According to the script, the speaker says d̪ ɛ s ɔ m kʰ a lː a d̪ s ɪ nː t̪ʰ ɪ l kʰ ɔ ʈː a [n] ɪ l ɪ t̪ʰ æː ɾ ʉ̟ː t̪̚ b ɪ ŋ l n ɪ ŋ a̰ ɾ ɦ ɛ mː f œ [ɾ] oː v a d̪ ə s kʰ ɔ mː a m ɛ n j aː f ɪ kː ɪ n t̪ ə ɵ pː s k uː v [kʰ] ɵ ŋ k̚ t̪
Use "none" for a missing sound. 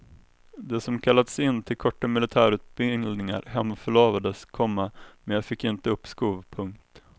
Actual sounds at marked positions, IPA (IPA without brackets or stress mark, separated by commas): m, ɭ, pʰ